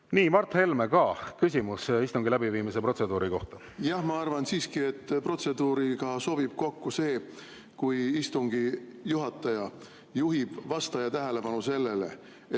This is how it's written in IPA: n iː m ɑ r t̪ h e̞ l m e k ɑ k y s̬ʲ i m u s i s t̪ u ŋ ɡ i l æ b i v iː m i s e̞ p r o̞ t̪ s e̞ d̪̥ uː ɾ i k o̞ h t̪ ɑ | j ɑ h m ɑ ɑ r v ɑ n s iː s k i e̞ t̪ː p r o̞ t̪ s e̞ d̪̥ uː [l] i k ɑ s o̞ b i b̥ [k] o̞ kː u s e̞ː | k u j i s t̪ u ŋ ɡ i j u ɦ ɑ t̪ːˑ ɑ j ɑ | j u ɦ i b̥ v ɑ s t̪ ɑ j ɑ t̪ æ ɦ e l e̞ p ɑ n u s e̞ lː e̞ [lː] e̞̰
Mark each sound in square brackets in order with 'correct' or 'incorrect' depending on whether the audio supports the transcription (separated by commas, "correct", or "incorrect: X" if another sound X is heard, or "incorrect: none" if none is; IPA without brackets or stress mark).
incorrect: ɾ, correct, incorrect: l